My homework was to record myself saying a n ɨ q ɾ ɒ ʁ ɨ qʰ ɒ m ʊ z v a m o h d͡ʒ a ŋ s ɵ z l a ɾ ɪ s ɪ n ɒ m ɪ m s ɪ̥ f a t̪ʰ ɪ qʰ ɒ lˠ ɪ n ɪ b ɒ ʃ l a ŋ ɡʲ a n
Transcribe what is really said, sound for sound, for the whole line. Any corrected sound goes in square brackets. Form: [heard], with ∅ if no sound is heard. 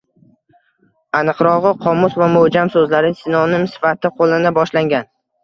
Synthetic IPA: a n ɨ q ɾ ɒ ʁ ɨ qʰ ɒ m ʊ [s] v a m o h d͡ʒ a [m] s ɵ z l a ɾ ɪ s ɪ n ɒ [n] ɪ m s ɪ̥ f a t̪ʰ ɪ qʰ [o] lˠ ɪ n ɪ b ɒ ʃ l a ŋ ɡʲ a n